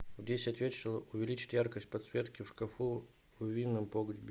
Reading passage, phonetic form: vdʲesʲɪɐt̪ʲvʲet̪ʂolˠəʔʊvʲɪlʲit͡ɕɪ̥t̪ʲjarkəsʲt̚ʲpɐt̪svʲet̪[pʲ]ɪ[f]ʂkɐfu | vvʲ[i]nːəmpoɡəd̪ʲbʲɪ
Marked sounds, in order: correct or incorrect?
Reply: incorrect: kʲ, correct, correct

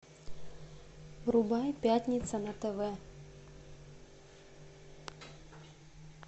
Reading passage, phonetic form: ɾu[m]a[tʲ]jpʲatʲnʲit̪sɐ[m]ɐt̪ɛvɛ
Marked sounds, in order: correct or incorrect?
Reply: incorrect: b, incorrect: none, incorrect: n

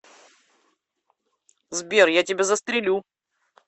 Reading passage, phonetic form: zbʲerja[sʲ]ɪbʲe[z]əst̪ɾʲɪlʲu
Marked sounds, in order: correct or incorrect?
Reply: incorrect: tʲ, correct

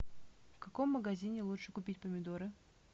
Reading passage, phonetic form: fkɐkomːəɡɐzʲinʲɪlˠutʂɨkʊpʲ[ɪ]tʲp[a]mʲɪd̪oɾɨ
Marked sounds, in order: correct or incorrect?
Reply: incorrect: i, incorrect: ə

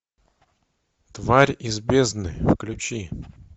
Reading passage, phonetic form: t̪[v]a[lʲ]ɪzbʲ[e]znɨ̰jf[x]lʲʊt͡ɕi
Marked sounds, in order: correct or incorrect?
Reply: correct, incorrect: ɾʲ, correct, incorrect: k

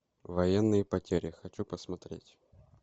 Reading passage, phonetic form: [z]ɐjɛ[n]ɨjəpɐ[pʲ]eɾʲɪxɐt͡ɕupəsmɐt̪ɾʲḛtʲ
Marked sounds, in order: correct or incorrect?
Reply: incorrect: v, incorrect: nː, incorrect: tʲ

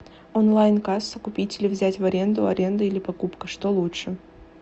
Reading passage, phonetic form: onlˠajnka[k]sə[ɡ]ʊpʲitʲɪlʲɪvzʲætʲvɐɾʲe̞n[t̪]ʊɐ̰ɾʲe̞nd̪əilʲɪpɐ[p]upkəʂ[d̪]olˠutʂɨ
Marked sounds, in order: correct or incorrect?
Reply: incorrect: none, incorrect: k, incorrect: d̪, incorrect: k, incorrect: t̪

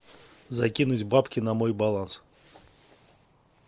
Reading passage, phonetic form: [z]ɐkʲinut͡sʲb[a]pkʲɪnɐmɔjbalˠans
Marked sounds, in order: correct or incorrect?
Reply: correct, correct

